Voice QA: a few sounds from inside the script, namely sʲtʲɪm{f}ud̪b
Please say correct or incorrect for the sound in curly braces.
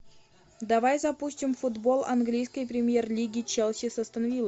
correct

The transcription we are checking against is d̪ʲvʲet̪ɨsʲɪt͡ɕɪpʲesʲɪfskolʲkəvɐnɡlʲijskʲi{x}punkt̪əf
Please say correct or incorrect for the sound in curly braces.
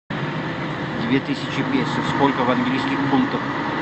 correct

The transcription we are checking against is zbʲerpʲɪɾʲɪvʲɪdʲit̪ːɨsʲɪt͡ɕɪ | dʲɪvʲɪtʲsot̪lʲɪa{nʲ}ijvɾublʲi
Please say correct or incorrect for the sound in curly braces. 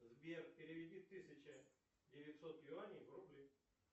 correct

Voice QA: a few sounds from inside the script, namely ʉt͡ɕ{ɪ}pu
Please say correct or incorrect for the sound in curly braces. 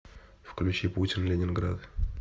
incorrect: i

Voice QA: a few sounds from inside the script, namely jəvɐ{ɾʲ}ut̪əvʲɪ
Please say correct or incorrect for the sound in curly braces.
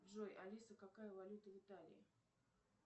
incorrect: lʲ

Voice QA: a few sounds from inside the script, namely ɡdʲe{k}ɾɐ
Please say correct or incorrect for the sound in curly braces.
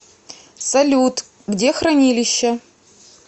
incorrect: x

